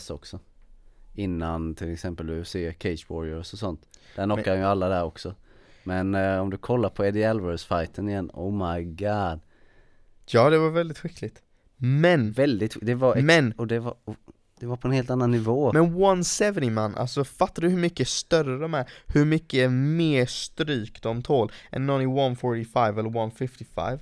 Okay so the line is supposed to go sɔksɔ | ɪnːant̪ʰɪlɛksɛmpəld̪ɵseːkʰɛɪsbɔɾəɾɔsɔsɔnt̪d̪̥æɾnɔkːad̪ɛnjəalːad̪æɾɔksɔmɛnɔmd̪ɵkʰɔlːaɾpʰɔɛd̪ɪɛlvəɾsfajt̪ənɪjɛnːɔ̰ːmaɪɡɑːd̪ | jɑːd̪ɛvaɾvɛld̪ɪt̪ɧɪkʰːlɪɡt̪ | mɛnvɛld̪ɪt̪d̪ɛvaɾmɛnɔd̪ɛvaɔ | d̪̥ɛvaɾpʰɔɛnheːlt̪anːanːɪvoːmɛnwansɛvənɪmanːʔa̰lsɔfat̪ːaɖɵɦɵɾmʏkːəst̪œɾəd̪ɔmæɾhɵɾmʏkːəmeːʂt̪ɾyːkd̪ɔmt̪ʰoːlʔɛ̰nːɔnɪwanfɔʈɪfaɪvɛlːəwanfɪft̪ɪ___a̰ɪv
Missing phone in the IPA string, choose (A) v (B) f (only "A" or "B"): B